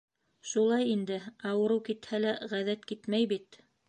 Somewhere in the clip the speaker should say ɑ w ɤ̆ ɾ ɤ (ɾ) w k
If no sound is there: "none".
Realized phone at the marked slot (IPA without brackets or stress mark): none